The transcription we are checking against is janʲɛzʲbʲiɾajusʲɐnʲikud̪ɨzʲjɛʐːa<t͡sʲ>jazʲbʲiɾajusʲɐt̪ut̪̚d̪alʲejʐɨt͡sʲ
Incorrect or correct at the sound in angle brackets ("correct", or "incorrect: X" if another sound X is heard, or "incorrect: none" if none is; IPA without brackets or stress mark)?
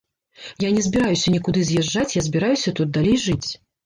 correct